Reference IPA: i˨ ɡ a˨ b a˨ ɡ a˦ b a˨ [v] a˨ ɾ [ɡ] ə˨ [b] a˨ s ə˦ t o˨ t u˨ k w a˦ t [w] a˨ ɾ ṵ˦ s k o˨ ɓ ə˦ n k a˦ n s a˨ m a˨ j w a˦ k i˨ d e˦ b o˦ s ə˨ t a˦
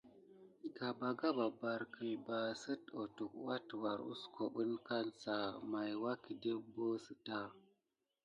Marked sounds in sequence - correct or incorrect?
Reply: incorrect: b, incorrect: k, correct, correct

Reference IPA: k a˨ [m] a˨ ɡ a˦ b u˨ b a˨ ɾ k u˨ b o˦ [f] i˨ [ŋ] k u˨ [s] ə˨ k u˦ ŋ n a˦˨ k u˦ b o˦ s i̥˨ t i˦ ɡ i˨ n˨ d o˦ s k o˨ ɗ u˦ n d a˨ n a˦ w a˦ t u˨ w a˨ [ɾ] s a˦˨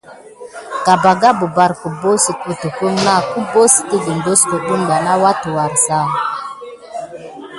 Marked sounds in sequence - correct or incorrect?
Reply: incorrect: b, incorrect: s, incorrect: none, incorrect: t, correct

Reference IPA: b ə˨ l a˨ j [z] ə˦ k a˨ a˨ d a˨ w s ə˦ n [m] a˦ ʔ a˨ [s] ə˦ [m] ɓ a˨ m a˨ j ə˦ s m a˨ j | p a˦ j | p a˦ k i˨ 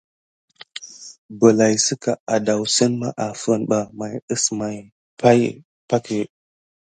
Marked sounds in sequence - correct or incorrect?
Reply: incorrect: s, correct, incorrect: f, incorrect: n

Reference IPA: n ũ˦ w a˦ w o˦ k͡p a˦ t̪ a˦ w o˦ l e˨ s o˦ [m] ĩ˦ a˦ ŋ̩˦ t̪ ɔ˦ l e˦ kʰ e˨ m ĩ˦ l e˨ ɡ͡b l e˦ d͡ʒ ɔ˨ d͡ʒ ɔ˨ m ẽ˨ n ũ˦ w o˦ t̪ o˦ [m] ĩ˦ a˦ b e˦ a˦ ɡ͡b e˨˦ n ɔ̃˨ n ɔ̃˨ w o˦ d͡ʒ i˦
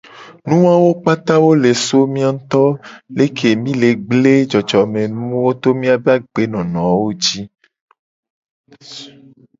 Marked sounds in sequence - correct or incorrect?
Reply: correct, correct

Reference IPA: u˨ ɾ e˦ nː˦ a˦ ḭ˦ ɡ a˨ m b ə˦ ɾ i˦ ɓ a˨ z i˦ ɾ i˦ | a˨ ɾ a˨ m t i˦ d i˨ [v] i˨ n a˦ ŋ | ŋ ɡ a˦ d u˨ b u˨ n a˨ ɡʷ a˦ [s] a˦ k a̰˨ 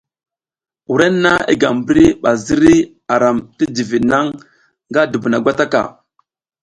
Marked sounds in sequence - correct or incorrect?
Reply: correct, incorrect: t

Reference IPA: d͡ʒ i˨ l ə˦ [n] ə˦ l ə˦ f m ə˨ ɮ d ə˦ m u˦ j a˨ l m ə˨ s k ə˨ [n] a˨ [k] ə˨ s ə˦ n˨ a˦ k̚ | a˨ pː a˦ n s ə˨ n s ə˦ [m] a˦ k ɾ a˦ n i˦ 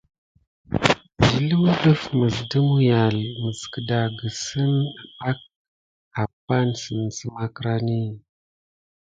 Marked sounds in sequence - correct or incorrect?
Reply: incorrect: m, incorrect: d, incorrect: ɡ, correct

